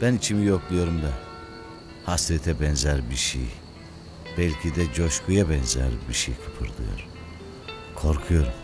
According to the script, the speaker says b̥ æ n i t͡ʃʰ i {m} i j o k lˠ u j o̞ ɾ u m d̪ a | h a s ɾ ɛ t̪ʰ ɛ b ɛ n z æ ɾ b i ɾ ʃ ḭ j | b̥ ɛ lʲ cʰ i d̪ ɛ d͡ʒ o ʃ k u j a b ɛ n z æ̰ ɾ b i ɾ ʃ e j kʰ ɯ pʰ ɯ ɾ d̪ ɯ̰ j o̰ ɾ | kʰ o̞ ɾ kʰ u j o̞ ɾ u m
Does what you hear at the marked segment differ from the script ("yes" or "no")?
no